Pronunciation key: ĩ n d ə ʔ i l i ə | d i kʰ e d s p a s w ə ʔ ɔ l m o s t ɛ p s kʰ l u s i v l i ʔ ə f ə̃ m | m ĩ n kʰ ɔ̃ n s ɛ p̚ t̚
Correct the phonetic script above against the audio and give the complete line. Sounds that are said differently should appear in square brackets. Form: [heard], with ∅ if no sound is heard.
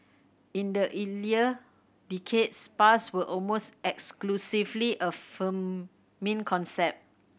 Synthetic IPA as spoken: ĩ n d ə ʔ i l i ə | d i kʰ e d s p a s w ə ʔ ɔ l m o s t ɛ [k] s [k] l u s i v l i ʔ ə f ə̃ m | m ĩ n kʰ ɔ̃ n s ɛ p̚ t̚